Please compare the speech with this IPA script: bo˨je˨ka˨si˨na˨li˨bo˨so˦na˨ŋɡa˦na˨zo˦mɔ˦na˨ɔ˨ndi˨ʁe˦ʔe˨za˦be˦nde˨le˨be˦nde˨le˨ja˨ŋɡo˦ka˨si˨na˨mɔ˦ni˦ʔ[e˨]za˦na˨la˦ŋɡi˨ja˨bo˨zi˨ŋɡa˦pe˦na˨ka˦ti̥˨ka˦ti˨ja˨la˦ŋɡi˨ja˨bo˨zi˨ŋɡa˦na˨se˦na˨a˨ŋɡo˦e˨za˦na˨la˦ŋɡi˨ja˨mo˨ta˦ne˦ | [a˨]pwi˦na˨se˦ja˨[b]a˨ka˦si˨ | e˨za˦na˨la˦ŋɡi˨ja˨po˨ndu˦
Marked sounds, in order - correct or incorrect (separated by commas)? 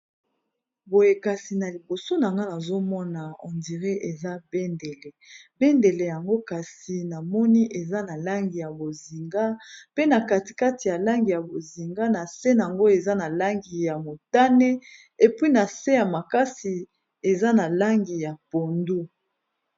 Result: correct, incorrect, incorrect